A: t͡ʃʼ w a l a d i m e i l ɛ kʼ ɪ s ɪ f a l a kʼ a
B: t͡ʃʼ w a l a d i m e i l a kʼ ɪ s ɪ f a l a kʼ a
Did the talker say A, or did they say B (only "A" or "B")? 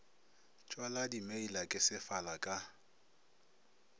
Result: B